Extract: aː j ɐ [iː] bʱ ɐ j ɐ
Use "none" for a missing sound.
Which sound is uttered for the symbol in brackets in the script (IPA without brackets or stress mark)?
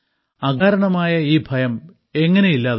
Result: iː